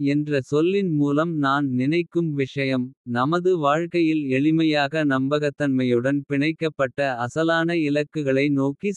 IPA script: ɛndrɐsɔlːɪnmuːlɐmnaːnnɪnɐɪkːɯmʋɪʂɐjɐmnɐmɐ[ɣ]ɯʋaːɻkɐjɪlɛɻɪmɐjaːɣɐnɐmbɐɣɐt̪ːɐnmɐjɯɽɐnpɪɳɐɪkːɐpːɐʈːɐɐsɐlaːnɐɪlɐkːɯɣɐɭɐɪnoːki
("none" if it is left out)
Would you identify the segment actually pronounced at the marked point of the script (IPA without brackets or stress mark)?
ð